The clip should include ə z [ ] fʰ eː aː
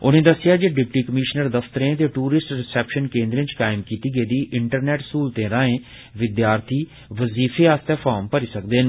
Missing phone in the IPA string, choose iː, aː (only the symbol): iː